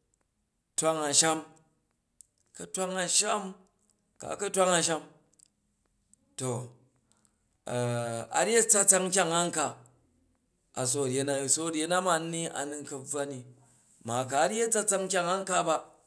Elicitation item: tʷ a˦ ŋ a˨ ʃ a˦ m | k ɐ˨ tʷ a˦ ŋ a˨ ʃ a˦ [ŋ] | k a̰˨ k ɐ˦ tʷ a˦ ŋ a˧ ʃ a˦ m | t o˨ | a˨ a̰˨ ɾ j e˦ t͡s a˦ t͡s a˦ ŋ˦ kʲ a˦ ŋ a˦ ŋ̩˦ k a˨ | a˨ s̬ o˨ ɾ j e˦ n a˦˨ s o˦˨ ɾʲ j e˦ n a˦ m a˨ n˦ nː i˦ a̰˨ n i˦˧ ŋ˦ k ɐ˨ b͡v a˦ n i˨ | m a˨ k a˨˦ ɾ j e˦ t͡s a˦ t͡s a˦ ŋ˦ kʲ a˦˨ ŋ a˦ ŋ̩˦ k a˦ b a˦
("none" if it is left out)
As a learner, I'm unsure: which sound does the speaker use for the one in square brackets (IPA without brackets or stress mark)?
m